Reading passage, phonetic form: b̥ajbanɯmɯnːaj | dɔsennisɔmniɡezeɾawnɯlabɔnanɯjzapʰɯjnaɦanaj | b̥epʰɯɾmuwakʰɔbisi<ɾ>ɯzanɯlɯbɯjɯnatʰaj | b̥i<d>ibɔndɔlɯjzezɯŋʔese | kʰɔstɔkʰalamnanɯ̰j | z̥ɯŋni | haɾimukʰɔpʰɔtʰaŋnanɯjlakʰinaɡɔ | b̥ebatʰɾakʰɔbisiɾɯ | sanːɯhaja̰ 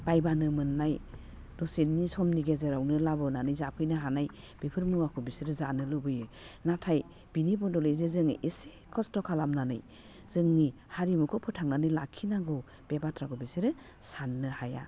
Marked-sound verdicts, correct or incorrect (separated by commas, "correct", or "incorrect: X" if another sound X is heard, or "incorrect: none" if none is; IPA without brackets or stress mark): correct, incorrect: n